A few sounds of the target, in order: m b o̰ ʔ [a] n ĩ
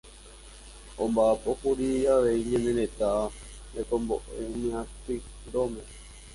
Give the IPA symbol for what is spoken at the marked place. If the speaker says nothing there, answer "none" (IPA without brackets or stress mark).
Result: e